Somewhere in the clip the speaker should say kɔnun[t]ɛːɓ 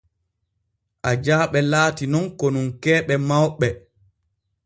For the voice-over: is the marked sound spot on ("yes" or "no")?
no